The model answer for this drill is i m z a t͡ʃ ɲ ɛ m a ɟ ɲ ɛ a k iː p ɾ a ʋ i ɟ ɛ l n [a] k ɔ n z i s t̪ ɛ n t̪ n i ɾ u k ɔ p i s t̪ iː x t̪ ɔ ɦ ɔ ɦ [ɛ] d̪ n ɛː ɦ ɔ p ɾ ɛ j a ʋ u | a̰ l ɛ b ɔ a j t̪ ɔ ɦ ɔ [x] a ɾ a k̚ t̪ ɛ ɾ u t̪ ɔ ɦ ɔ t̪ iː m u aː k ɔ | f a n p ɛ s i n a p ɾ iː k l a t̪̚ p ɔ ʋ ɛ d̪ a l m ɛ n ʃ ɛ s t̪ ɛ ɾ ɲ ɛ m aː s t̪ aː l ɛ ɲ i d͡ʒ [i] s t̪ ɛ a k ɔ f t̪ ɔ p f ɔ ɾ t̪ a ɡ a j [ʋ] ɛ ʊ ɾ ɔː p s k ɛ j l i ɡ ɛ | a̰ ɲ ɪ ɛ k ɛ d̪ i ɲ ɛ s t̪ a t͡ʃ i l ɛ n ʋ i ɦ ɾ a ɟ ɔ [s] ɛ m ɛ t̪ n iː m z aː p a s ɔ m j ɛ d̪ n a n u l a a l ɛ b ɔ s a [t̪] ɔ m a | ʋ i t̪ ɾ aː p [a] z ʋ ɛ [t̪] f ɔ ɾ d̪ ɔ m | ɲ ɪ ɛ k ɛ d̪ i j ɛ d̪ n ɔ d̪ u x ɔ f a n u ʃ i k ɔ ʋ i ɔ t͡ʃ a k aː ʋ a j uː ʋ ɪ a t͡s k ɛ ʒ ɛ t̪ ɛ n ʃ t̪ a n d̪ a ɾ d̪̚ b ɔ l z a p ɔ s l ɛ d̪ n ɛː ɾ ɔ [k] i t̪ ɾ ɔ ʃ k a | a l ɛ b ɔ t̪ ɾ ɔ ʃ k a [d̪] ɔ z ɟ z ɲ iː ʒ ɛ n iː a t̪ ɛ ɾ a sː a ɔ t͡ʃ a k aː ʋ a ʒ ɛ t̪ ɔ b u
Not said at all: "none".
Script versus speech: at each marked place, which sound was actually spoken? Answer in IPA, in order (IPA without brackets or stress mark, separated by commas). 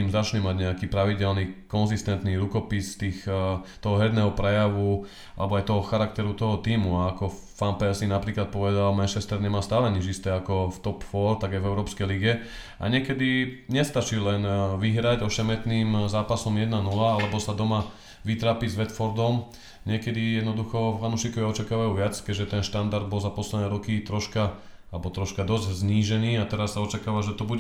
i, ɛ, x, i, v, ʃ, d̪, i, t̪, k, d̪